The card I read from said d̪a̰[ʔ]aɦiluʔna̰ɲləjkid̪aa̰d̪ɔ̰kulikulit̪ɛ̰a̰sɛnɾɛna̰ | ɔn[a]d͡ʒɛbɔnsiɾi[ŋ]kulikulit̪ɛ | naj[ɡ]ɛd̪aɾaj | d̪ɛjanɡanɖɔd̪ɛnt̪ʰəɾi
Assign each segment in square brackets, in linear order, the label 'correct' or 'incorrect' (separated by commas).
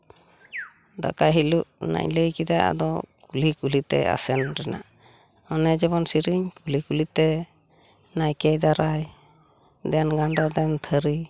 incorrect, incorrect, incorrect, incorrect